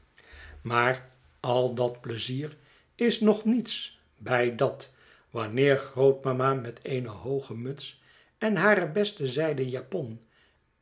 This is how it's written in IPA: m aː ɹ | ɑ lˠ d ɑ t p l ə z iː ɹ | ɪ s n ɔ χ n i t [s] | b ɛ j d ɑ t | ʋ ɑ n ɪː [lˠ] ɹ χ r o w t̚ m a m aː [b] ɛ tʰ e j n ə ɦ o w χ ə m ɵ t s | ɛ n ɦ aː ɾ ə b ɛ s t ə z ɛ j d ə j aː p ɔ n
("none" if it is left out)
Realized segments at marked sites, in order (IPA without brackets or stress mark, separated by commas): s, none, m